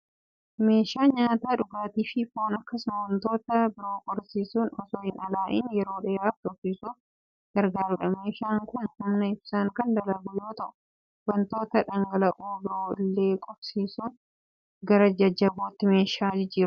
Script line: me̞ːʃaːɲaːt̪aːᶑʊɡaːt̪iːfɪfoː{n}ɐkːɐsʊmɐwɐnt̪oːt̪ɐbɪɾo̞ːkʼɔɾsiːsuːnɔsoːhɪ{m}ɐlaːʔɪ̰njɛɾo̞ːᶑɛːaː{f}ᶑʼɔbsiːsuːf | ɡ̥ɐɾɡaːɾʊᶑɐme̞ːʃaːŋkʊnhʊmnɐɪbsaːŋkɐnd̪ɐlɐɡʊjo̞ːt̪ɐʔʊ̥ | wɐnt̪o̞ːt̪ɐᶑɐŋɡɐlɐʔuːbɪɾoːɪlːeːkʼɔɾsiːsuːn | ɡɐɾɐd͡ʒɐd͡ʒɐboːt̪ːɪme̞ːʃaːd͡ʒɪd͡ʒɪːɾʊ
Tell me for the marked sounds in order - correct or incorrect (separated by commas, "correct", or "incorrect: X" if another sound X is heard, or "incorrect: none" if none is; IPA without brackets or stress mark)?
correct, incorrect: n, correct